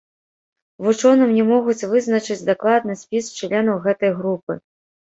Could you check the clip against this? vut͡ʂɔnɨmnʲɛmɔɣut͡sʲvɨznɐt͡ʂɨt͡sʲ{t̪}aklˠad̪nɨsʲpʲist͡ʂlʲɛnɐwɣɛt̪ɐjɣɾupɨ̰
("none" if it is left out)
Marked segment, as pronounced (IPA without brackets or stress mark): d̪